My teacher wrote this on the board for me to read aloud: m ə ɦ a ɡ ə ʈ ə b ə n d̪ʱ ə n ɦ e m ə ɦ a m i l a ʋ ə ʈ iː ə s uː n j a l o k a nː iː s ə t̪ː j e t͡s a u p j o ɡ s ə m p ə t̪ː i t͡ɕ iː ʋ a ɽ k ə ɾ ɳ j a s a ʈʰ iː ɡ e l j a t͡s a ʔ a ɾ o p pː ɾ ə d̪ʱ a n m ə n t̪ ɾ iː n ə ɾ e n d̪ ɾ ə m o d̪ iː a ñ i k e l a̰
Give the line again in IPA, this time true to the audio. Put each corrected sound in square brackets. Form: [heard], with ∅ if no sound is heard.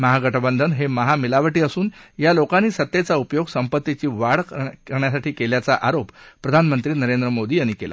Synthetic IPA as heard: m ə ɦ a ɡ ə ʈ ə b ə n d̪ʱ ə n ɦ e m ə ɦ a m i l a ʋ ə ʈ iː ə s uː n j a l o k a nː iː s ə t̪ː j e t͡s a u p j o ɡ s ə m p ə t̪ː i t͡ɕ iː ʋ a ɽ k ə ɾ ɳ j a s a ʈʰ iː [k] e l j a t͡s a ʔ a ɾ o p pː ɾ ə d̪ʱ a n m ə n t̪ ɾ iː n ə ɾ e n d̪ ɾ ə m o d̪ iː a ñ i k e l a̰